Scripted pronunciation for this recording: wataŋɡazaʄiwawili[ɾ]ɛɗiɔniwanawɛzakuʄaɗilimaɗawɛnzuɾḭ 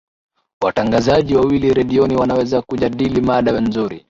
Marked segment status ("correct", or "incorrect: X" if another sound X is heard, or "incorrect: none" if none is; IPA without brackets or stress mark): correct